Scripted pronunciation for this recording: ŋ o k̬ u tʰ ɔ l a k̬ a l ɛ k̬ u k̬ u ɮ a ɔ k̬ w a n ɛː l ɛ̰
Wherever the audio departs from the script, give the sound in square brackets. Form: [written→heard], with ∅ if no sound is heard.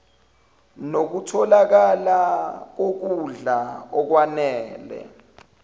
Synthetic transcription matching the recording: [ŋ→n] o k̬ u tʰ ɔ l a k̬ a l [ɛ→a] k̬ [u→o] k̬ u ɮ a ɔ k̬ w a n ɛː l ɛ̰